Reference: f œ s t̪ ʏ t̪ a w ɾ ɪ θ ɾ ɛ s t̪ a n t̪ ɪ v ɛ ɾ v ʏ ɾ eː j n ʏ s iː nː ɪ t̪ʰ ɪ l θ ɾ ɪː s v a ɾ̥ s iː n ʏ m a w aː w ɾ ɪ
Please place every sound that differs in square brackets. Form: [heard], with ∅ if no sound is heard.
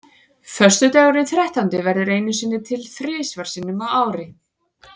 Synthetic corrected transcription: f œ s t̪ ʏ t̪ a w ɾ ɪ θ ɾ ɛ [h] t̪ a n t̪ ɪ v ɛ ɾ [ð] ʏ ɾ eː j n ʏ s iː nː ɪ t̪ʰ ɪ l θ ɾ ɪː s v a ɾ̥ s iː n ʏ m a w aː w ɾ ɪ

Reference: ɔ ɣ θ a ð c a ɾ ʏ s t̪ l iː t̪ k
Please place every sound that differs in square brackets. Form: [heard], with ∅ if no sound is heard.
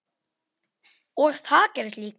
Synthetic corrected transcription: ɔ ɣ θ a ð c [ɛ] ɾ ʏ s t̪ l iː [∅] k

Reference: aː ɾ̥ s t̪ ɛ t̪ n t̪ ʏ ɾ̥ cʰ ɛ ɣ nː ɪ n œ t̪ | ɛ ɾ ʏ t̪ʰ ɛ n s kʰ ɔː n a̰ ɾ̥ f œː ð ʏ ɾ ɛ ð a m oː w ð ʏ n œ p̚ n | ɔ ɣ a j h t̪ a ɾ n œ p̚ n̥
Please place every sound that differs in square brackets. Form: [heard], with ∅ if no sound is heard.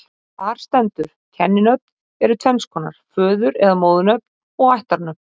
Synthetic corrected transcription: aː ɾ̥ s t̪ ɛ [∅] n t̪ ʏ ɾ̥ cʰ ɛ [∅] nː ɪ n œ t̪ | ɛ ɾ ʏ t̪ʰ ɛ n s kʰ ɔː n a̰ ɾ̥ f œː ð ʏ ɾ ɛ ð a m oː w ð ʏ n œ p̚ n | ɔ ɣ a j h t̪ a ɾ n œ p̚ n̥

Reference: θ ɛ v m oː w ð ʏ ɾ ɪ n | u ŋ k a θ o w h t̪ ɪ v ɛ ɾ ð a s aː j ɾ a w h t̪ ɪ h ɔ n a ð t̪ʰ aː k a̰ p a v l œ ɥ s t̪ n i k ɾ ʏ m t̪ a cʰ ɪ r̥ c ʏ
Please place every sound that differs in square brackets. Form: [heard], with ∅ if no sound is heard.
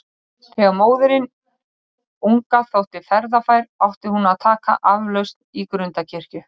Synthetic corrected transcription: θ ɛ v m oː w ð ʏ ɾ ɪ n | u ŋ k a θ o w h t̪ ɪ [f] ɛ ɾ ð a [f] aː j ɾ a w h t̪ ɪ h [u] n a ð t̪ʰ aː k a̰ [ʔ] a v l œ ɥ s t̪ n i k ɾ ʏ [n] t̪ a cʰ ɪ r̥ c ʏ

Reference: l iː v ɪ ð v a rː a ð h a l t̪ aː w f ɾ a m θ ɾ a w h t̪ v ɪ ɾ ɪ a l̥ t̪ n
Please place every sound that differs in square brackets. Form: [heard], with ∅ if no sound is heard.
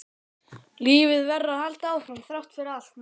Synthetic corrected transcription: l iː v ɪ ð v [ɛ] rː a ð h a l t̪ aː w f ɾ a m θ ɾ a w h t̪ [f] ɪ ɾ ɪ a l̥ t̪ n

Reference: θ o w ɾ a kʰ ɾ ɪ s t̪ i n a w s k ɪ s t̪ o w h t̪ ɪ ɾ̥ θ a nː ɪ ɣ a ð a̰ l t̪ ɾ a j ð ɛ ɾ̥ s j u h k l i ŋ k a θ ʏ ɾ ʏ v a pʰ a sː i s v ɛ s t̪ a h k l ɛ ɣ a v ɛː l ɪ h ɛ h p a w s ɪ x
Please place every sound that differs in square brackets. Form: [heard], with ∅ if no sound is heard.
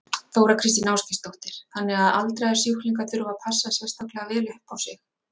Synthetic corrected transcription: θ o w ɾ a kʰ ɾ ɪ s t̪ i n a w s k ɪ s t̪ o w h t̪ ɪ ɾ̥ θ a nː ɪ ɣ a ð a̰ l t̪ ɾ a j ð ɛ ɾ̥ s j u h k l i ŋ k a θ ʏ ɾ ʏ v a pʰ a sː [a] s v ɛ s t̪ a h k l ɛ ɣ a v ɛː l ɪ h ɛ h p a w s ɪ x

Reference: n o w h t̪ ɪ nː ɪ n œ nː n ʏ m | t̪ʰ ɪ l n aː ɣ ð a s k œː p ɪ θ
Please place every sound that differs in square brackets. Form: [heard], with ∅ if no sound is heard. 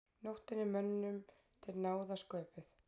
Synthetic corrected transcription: n o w h t̪ ɪ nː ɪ [m] œ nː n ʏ m | t̪ʰ ɪ l n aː [w] ð a s k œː p ɪ θ

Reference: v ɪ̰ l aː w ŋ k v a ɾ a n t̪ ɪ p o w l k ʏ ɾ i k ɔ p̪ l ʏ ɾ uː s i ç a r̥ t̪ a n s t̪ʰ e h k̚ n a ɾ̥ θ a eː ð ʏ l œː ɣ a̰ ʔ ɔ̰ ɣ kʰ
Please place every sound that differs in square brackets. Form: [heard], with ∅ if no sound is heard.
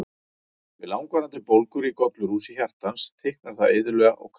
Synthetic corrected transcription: v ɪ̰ l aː w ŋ k v a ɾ a n t̪ ɪ p o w l k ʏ ɾ i k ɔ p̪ l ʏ ɾ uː s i ç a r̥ t̪ a n s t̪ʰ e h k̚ n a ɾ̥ θ a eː ð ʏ l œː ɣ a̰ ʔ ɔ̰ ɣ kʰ

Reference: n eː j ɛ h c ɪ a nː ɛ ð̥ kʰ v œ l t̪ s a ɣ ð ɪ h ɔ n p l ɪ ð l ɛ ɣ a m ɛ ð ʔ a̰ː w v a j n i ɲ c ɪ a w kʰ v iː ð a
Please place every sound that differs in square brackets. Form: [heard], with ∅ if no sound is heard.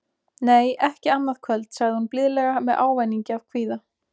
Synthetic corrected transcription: n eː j ɛ h c ɪ a nː [a] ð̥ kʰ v œ l t̪ s a ɣ ð ɪ h [u] n p l ɪ ð l ɛ ɣ a m ɛ ð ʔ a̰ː w v a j n i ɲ c ɪ a [v] kʰ v iː ð a

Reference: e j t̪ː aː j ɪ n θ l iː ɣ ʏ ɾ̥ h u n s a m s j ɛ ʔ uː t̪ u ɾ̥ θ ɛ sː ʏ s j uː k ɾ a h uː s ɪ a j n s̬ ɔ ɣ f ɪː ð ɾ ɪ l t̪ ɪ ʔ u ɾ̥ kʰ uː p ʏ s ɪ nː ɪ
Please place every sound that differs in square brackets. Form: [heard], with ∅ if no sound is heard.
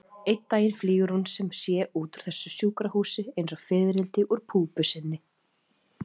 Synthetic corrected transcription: e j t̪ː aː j ɪ n [f] l iː ɣ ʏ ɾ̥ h u n s [ɛ] m s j ɛ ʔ uː t̪ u ɾ̥ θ ɛ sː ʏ s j uː k ɾ a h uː s ɪ [e] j n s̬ ɔ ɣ f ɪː ð ɾ ɪ l t̪ ɪ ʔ u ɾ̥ [pʰ] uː p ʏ s ɪ nː ɪ

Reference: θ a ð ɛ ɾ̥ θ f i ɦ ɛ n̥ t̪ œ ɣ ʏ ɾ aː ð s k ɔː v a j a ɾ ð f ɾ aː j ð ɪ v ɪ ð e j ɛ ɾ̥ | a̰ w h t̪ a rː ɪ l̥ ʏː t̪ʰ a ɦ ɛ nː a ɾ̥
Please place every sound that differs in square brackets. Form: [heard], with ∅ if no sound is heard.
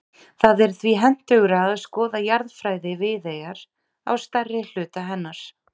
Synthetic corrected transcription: θ a ð ɛ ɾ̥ θ [v] i ɦ ɛ n̥ t̪ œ ɣ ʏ ɾ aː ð s k ɔː [ð] a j a ɾ ð f ɾ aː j ð ɪ v ɪ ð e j [a] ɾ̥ | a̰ w [s] t̪ a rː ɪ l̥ ʏː [t̪] a ɦ ɛ nː a ɾ̥

